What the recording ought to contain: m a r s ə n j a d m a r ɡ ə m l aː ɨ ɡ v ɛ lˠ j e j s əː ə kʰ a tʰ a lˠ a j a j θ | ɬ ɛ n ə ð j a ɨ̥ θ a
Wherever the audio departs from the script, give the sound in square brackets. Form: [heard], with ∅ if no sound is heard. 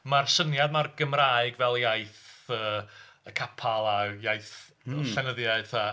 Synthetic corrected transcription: m a r s ə n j a d m a r ɡ ə m [r] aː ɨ ɡ v ɛ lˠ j [a] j [θ] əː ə kʰ a [pʰ] a lˠ a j a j θ | ɬ ɛ n ə ð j a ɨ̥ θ a